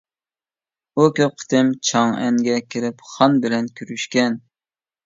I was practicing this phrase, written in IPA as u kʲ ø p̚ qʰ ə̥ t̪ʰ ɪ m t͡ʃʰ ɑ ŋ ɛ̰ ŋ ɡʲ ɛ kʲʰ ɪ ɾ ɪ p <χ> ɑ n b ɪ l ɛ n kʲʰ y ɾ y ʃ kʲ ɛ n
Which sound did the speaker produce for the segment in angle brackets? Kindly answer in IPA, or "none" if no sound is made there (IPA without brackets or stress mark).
χ